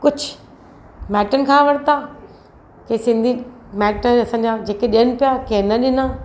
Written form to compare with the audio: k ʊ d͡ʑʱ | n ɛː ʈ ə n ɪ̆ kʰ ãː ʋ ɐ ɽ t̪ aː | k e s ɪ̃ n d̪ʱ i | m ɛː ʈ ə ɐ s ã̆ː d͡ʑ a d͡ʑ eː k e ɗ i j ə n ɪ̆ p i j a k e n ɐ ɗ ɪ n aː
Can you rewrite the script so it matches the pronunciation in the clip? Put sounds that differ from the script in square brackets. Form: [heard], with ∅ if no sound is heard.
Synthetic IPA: k ʊ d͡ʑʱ | [m] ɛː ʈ ə n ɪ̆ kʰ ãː ʋ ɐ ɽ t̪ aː | k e s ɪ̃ n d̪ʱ i | m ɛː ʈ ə ɐ s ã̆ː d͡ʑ a d͡ʑ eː k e ɗ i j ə n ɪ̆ p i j a k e n ɐ ɗ ɪ n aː